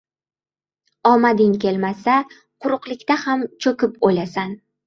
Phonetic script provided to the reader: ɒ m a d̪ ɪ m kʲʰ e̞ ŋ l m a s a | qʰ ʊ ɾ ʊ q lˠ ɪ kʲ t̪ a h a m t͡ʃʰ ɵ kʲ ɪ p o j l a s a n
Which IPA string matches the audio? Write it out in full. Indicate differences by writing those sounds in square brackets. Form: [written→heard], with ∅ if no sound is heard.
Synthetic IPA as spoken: ɒ m a d̪ ɪ [m→ŋ] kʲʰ e̞ [ŋ→∅] l m a s a | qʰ ʊ ɾ ʊ q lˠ ɪ kʲ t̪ a h a m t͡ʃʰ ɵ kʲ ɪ p o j l a s a n